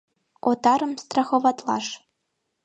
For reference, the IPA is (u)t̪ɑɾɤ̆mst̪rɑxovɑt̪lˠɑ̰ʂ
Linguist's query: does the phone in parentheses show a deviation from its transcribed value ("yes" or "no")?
yes